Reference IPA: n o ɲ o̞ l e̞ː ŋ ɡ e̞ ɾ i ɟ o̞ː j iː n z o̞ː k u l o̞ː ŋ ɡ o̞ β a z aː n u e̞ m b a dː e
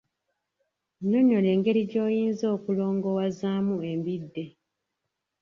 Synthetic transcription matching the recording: n o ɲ o̞ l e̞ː ŋ ɡ e̞ ɾ i ɟ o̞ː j iː n z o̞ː k u l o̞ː ŋ ɡ o̞ w a z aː m u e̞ m b i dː e